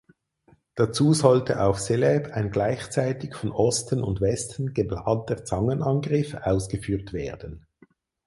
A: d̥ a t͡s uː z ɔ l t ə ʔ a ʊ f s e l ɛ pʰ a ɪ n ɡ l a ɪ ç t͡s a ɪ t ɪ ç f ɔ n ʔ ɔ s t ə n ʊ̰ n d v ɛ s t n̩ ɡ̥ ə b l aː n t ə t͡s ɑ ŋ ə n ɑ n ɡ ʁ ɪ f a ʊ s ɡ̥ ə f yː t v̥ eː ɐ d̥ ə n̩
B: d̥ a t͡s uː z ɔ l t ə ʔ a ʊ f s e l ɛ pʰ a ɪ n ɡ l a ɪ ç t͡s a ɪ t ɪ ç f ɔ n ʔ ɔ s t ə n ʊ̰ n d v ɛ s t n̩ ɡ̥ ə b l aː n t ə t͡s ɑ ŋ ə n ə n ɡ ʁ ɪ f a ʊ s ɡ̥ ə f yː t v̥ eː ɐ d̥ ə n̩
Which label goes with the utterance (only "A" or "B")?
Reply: A